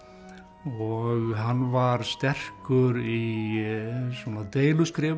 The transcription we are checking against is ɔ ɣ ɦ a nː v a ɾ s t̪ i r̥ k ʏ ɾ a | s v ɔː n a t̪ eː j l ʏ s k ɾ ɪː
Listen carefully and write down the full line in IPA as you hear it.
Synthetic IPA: ɔ ɣ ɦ a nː v a ɾ s t̪ ɛ r̥ k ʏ ɾ i | s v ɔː n a t̪ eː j l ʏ s k ɾ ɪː